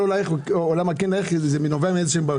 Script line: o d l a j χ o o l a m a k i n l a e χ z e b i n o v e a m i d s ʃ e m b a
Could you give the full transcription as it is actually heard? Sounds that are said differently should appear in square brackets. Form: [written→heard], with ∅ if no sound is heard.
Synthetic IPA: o [d→∅] l a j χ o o l a m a k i n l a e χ z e [b→m] i n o v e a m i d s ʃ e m b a